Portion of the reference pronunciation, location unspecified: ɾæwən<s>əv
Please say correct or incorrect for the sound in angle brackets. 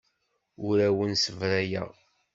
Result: correct